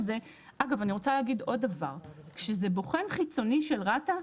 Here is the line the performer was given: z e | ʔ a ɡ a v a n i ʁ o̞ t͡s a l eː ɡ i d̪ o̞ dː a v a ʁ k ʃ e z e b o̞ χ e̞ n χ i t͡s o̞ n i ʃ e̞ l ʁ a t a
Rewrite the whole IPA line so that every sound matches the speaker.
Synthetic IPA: z e | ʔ a ɡ a v a n i ʁ o̞ t͡s a l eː ɡ i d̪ o̞ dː a v a ʁ k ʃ e z e b o̞ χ e̞ n χ i t͡s o̞ n i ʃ e̞ l ʁ a t a